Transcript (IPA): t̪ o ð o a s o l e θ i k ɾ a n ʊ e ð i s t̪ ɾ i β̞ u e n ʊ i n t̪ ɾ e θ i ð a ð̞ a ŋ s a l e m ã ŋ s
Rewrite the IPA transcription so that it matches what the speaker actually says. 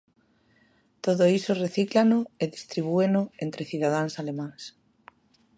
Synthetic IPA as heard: t̪ o ð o i s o r e θ i k l a n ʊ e ð i s t̪ ɾ i β̞ u e n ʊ e n t̪ ɾ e θ i ð a ð̞ a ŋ s a l e m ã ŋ s

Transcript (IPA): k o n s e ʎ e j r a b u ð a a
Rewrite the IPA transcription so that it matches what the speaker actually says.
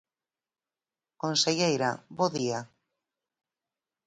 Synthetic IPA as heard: k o n s e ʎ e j ɾ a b o ð i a

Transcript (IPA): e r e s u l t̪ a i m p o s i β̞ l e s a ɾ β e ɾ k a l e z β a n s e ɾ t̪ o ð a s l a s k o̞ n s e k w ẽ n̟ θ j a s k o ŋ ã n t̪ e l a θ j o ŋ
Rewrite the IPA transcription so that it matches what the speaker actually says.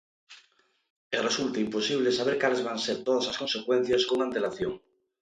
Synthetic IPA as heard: e r e s u l t̪ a i m p o s i β̞ l e s a β e ɾ k a l e z β a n s e ɾ t̪ o ð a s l a s k o̞ n s e k w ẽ n̟ θ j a s k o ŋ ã n t̪ e l a θ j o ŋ

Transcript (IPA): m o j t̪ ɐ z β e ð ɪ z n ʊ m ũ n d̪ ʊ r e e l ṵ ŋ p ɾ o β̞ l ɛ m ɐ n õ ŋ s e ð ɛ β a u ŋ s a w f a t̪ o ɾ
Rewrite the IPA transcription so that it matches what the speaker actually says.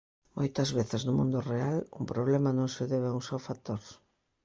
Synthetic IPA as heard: m o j t̪ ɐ z β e θ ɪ z n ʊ m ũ n d̪ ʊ r e a l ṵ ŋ p ɾ o β̞ l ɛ m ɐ n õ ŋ s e ð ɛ β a u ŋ s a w f a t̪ o ɾ

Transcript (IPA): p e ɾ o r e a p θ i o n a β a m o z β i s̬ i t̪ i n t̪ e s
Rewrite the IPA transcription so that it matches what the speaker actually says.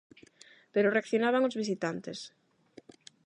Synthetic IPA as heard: p e ɾ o r e a k θ j o n a β a ŋ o z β i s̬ i t̪ a n t̪ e s

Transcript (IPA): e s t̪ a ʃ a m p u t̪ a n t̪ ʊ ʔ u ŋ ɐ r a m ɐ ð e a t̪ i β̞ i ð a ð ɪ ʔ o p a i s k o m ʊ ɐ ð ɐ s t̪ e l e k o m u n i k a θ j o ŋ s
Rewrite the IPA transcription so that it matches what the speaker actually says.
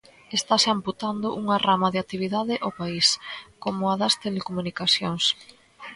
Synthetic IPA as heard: e s t̪ a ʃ a m p u t̪ a n d̪ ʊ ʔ u ŋ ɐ r a m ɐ ð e a t̪ i β̞ i ð a ð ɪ ʔ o p a i s k o m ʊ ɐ ð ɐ s t̪ e l e k o m u n i k a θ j o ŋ s

